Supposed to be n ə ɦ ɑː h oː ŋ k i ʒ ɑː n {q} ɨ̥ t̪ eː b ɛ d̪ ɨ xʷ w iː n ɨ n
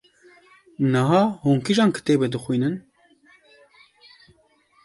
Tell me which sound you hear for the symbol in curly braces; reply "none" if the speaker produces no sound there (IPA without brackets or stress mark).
k